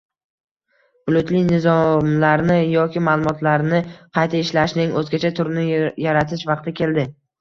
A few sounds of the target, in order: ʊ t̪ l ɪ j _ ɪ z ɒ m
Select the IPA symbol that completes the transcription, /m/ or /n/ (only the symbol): n